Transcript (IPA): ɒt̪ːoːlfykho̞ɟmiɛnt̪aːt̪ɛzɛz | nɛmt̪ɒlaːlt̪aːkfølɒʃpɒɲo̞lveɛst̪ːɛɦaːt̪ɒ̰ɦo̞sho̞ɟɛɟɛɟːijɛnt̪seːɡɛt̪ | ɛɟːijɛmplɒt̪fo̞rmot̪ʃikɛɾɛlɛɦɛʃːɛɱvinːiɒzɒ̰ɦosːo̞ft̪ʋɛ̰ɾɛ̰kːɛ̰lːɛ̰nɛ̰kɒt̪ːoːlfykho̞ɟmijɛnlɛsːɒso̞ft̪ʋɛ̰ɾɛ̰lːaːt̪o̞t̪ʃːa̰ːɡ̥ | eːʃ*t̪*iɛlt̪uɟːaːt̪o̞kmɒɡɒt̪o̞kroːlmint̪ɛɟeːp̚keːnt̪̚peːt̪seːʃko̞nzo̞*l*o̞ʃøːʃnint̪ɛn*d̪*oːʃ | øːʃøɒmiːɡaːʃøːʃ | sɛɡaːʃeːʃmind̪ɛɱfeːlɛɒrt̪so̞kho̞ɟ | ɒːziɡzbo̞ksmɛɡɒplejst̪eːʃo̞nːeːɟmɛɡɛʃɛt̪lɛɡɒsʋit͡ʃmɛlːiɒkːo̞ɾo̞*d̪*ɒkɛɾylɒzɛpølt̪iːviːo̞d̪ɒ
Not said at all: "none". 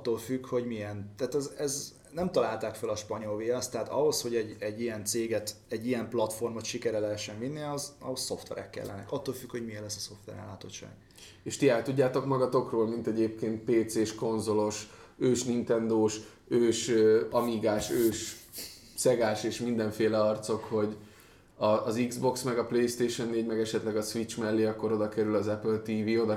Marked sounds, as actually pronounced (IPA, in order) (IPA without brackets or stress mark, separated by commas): t̪, l, d̪, d̪